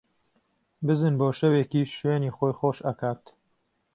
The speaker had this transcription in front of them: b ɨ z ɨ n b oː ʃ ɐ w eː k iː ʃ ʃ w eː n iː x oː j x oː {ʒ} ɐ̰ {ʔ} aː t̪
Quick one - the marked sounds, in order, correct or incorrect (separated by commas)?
incorrect, incorrect